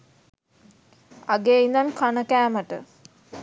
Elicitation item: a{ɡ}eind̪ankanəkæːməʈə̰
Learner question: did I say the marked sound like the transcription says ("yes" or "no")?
yes